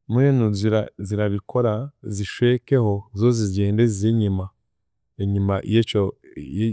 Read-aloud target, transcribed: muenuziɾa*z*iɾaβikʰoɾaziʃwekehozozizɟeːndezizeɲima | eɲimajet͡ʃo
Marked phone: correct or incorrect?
correct